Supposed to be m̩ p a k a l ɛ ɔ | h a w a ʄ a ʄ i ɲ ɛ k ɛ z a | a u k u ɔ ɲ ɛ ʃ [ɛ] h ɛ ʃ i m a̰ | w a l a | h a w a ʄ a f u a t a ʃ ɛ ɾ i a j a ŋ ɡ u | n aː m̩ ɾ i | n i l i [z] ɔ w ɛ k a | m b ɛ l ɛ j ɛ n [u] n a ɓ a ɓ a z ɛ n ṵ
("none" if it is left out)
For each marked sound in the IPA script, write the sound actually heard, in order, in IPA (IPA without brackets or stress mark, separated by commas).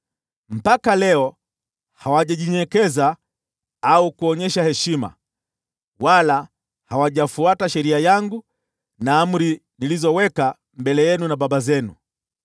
a, z, u